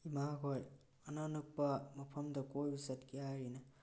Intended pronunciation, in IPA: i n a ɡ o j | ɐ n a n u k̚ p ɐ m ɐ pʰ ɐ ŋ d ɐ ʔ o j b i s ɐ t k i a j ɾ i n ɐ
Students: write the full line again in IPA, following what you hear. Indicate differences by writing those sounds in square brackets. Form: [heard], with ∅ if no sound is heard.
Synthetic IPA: i [m] a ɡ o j | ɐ n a n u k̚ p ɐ m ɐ pʰ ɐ [m] d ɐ [k] o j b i s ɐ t k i a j ɾ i n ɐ